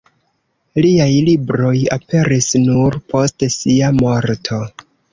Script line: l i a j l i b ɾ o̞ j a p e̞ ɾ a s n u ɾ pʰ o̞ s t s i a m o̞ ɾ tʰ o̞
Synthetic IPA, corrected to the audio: l i a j l i b ɾ o̞ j a p e̞ ɾ i s n u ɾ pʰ o̞ s t s i a m o̞ ɾ tʰ o̞